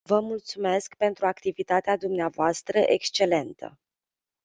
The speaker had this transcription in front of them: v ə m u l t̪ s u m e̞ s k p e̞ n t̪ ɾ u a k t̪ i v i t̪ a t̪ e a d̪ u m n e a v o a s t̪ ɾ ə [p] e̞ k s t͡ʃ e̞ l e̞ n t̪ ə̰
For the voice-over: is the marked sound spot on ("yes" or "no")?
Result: no